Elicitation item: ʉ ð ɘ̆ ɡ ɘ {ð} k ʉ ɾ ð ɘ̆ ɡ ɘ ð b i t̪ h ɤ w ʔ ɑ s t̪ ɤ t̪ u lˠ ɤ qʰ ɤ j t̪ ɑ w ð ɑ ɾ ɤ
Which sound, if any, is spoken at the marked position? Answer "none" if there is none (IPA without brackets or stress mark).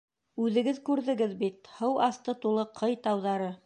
ð